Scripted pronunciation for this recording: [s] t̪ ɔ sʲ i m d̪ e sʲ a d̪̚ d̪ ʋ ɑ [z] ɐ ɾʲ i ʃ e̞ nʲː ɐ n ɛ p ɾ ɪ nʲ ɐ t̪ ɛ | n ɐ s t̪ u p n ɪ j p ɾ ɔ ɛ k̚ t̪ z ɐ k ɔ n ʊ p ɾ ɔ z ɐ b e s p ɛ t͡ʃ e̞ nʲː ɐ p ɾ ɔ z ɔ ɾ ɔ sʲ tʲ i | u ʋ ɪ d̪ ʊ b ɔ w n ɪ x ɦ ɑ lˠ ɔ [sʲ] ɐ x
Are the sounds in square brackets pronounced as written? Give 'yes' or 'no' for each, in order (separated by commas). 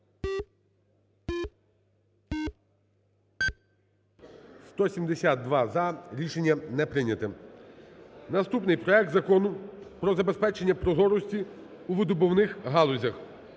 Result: yes, yes, no